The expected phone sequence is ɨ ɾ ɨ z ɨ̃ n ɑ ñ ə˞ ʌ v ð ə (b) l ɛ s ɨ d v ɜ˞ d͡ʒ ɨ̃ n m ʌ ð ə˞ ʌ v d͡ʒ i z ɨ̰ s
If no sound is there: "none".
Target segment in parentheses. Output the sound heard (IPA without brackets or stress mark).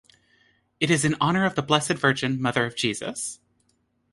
b